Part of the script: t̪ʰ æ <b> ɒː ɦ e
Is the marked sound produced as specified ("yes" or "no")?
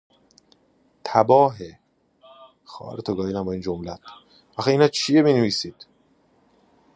yes